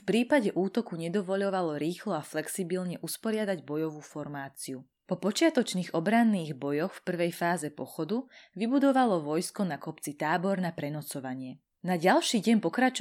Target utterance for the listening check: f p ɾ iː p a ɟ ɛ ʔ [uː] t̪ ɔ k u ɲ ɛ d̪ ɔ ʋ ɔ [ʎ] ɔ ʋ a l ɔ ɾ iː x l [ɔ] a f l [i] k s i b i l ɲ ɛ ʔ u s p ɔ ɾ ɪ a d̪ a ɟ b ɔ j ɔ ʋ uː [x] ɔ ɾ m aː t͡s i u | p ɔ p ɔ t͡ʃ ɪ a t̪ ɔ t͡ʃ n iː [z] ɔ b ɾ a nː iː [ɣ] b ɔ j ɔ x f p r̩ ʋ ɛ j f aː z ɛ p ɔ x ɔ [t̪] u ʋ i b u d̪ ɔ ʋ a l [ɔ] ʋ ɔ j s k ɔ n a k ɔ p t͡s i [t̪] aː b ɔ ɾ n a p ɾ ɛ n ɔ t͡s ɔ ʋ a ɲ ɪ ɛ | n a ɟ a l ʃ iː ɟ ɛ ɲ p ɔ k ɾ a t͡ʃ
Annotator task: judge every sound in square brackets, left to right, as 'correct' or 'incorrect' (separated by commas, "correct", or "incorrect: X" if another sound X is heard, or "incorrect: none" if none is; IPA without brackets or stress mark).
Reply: correct, correct, correct, incorrect: ɛ, incorrect: f, incorrect: ɣ, correct, incorrect: d̪, correct, correct